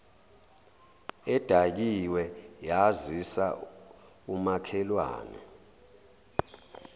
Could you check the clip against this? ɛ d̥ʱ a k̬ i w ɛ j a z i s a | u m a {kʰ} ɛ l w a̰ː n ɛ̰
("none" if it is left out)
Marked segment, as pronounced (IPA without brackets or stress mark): kʰ